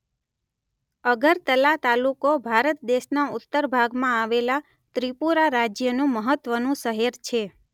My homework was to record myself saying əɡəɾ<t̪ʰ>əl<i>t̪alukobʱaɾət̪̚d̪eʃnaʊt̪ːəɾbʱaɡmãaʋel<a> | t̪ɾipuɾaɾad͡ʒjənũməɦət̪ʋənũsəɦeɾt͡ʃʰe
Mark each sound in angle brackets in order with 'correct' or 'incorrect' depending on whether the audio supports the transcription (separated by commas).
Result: incorrect, incorrect, correct